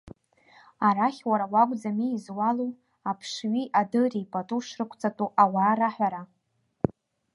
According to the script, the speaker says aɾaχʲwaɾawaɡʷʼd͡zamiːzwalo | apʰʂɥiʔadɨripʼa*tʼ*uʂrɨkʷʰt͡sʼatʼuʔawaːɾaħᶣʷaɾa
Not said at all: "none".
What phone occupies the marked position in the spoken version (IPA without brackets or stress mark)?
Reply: tʼ